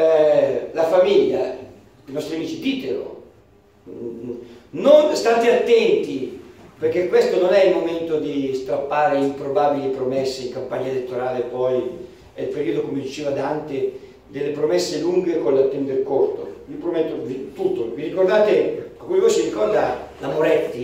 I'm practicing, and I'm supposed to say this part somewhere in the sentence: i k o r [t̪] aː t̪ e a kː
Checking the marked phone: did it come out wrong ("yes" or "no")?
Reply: yes